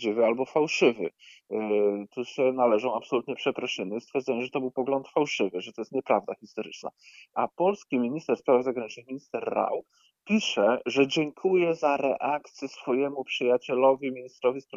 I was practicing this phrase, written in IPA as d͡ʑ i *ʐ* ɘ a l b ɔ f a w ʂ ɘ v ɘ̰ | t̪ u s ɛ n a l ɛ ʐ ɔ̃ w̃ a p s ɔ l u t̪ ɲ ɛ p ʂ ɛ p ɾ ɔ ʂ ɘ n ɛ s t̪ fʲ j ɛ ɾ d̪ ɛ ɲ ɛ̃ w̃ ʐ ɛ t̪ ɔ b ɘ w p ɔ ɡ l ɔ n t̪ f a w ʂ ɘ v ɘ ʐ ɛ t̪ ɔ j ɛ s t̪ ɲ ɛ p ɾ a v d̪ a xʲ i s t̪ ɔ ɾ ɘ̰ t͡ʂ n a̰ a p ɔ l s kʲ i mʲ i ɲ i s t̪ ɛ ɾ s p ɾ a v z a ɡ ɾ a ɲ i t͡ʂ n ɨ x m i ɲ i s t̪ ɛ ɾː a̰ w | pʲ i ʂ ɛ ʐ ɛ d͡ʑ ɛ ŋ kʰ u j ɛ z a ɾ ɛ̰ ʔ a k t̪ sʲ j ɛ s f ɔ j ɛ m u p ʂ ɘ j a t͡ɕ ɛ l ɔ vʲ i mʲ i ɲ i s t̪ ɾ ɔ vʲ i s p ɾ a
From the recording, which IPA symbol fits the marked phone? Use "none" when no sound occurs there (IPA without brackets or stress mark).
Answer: v